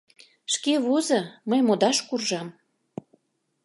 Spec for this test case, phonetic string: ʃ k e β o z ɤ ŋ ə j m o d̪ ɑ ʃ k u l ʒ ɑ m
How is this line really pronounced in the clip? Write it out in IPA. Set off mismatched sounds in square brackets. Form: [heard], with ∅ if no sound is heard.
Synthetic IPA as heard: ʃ k e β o z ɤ [m] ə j m o d̪ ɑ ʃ k u [r] ʒ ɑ m